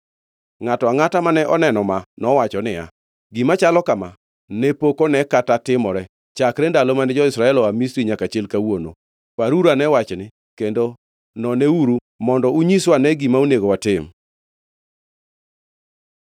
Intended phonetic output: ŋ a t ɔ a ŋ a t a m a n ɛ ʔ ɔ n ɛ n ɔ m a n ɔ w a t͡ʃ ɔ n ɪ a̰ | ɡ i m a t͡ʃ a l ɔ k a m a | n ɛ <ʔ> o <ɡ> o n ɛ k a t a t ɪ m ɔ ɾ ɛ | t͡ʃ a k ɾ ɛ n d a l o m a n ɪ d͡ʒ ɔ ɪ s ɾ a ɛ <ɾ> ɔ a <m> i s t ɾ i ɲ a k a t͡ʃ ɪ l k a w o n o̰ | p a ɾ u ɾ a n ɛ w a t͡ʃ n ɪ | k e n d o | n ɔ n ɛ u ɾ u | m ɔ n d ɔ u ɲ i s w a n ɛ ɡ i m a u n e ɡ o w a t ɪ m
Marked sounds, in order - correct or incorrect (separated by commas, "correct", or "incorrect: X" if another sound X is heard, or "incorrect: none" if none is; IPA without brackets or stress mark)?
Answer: incorrect: p, incorrect: k, incorrect: l, correct